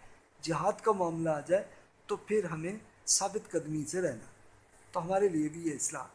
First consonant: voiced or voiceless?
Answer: voiced